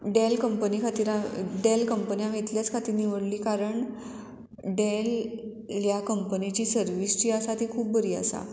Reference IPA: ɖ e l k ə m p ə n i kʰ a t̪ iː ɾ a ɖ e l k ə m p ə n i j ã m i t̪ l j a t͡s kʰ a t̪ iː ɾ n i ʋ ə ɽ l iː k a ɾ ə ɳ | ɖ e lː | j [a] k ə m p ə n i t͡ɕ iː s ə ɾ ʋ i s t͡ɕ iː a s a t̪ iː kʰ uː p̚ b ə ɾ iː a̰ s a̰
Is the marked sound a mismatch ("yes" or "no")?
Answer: no